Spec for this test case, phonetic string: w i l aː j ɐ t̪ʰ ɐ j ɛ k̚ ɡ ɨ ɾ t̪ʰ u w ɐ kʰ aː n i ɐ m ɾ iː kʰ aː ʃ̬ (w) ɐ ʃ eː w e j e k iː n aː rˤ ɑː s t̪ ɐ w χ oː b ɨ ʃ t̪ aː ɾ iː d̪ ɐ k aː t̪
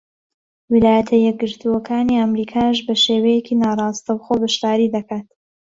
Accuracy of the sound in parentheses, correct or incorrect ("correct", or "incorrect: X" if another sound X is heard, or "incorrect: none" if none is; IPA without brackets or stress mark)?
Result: incorrect: b